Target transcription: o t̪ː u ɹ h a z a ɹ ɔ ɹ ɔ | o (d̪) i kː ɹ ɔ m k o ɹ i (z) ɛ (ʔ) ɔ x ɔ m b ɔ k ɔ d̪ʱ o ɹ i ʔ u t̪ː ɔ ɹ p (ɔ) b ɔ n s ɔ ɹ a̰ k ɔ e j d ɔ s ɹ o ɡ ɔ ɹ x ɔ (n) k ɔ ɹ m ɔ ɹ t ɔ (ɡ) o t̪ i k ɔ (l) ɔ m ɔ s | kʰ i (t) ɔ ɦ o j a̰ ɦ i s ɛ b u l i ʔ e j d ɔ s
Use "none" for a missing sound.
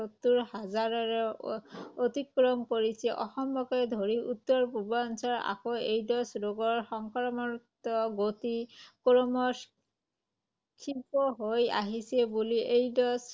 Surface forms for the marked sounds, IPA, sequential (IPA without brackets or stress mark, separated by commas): t̪, s, ʔ, u, ŋ, ɡ, ɹ, p